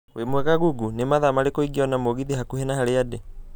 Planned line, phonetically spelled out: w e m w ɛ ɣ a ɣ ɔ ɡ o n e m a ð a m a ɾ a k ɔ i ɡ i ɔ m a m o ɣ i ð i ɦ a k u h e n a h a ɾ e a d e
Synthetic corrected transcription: w e m w ɛ ɣ a ɣ u ɡ u n e m a ð a m a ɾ e k o i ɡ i ɔ n a m o ɣ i ð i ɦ a k u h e n a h a ɾ e a d e